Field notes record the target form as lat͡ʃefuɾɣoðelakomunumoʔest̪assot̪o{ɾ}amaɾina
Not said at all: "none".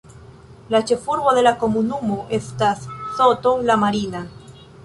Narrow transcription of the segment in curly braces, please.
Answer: l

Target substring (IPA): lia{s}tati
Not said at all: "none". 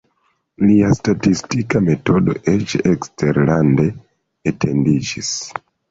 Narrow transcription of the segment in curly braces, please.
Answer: s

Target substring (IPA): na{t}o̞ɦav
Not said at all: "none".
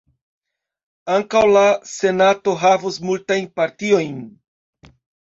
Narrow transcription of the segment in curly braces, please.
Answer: t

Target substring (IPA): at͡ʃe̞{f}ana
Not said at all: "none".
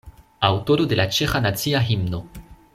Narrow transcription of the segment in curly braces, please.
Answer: x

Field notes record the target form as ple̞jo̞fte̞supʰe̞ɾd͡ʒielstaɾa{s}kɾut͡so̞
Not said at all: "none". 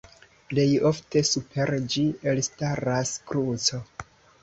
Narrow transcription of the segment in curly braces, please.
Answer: s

